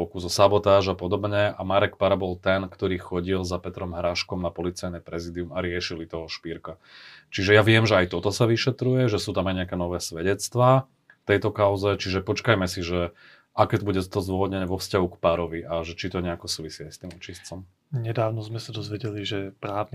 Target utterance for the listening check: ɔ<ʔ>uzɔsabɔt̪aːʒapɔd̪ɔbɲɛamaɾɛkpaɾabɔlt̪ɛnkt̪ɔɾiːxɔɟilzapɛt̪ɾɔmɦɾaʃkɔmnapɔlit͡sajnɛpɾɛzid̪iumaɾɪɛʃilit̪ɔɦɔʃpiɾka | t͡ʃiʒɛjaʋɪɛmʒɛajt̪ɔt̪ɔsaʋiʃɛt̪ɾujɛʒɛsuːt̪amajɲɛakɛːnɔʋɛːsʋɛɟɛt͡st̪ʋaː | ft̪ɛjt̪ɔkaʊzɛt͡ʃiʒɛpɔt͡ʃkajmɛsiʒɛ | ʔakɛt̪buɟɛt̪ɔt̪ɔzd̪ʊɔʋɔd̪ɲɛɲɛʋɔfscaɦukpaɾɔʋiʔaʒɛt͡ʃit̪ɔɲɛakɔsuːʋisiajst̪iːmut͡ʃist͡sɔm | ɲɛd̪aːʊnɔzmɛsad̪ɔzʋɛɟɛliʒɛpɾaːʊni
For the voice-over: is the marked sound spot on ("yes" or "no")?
no